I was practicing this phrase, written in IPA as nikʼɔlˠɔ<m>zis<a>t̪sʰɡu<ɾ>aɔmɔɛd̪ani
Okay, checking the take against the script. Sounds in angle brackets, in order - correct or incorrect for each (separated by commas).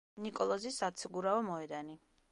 incorrect, correct, correct